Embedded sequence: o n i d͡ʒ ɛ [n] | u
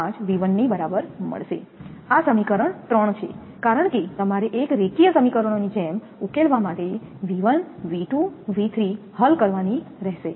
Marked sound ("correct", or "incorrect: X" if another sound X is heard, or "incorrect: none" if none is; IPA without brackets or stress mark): incorrect: m